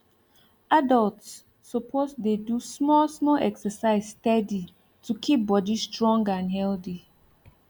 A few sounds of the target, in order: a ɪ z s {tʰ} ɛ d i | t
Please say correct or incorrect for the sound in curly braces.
incorrect